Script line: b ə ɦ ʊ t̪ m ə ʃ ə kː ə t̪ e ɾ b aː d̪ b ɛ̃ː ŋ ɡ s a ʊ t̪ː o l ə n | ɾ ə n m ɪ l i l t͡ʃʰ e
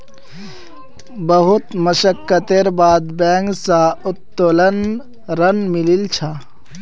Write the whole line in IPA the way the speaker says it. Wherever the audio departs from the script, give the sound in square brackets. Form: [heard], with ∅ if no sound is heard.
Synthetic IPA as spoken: b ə ɦ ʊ t̪ m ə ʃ ə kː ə t̪ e ɾ b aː d̪ b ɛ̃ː ŋ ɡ s a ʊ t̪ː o l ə n | ɾ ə n m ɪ l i l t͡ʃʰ [a]